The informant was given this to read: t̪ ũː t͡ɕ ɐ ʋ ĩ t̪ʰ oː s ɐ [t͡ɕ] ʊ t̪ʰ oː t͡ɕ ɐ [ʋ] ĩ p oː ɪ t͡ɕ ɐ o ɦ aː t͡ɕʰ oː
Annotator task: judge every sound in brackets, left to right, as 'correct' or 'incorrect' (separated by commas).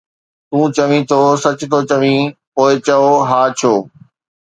correct, correct